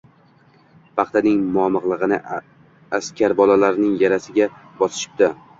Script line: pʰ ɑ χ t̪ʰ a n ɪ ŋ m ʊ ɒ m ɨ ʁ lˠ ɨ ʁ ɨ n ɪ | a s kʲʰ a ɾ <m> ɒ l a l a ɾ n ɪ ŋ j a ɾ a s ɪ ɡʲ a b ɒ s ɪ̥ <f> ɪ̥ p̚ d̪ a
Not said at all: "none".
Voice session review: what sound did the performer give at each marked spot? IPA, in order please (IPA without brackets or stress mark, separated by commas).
b, ʃ